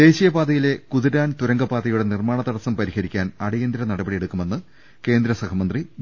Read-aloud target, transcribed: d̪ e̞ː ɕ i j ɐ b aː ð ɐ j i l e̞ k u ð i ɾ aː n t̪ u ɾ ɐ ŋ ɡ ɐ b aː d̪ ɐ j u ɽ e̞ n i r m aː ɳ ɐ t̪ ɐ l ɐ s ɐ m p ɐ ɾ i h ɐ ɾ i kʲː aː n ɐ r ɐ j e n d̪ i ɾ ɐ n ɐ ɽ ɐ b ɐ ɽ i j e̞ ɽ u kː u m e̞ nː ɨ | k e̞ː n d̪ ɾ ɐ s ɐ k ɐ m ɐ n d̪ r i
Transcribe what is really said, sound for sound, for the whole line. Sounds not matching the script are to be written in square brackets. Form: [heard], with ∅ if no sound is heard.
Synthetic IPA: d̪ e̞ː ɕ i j ɐ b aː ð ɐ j i l e̞ k u ð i ɾ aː n t̪ u ɾ ɐ ŋ ɡ ɐ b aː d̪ ɐ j u ɽ e̞ n i r m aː ɳ ɐ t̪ ɐ [ɽ] ɐ s ɐ m p ɐ ɾ i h ɐ ɾ i kʲː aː n ɐ [ɽ] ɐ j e n d̪ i ɾ ɐ n ɐ ɽ ɐ b ɐ ɽ i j e̞ ɽ u kː u m e̞ nː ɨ | k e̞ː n d̪ ɾ ɐ s ɐ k ɐ m ɐ n d̪ r i